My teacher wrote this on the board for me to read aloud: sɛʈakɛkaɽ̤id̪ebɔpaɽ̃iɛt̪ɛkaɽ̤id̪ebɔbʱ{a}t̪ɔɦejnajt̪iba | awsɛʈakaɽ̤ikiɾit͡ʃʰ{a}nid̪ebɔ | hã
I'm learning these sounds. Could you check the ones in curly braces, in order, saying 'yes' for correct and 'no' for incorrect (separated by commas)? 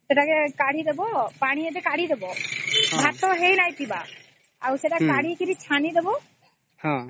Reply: yes, yes